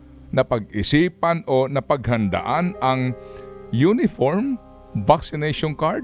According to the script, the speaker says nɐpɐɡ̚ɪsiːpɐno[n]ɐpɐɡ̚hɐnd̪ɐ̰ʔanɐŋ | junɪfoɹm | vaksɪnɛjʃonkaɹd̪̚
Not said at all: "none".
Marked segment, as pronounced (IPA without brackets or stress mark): n